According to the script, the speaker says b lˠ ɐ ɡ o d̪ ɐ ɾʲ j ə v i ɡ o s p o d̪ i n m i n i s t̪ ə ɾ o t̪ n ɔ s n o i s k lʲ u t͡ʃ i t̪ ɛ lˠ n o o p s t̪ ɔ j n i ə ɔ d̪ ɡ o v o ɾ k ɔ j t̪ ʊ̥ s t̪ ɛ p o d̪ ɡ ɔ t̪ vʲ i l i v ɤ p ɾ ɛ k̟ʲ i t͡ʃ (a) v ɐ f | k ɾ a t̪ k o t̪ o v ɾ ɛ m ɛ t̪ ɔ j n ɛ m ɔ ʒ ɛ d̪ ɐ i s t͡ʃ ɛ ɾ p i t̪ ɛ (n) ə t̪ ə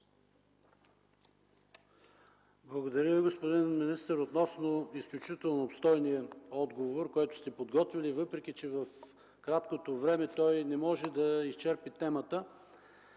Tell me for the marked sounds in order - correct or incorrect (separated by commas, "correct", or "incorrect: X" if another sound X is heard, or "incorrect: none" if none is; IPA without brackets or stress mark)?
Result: incorrect: ɛ, incorrect: m